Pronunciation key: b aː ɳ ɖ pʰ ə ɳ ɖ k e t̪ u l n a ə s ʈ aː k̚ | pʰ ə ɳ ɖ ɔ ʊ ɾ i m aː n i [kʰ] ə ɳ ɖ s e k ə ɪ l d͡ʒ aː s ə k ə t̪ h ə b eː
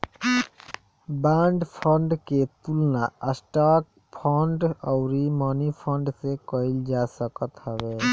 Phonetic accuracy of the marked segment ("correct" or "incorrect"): incorrect